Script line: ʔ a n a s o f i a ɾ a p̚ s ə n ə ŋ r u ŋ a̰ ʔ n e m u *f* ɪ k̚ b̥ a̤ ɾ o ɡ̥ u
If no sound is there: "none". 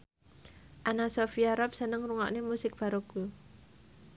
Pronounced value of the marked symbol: s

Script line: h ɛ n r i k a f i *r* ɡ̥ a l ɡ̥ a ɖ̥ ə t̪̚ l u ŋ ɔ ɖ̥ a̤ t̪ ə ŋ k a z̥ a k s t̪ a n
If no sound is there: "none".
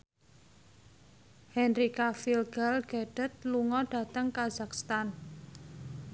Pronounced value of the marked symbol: l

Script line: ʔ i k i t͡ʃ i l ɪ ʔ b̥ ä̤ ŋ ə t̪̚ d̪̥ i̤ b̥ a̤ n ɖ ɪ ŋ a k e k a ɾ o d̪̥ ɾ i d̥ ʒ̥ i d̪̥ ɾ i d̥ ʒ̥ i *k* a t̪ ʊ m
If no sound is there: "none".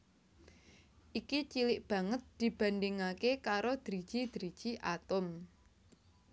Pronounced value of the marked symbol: ʔ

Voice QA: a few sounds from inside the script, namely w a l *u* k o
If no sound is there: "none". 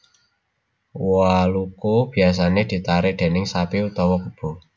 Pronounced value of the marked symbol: u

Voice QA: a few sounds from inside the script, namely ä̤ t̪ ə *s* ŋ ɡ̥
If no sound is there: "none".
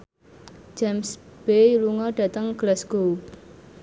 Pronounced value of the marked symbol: none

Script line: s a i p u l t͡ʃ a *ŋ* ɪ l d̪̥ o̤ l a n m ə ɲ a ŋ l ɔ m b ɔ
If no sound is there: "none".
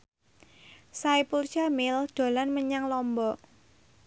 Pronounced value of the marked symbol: m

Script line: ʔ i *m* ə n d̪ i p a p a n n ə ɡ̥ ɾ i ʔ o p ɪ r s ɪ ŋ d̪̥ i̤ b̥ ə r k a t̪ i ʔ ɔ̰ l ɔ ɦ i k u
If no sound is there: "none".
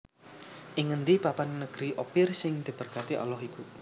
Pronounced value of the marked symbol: ŋ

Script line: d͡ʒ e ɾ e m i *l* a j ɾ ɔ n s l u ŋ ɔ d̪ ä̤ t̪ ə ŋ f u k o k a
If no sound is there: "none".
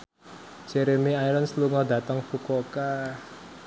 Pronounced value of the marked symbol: none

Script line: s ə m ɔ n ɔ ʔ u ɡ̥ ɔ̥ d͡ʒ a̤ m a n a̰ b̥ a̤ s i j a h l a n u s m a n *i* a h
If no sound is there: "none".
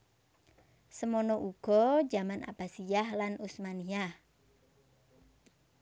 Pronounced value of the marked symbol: i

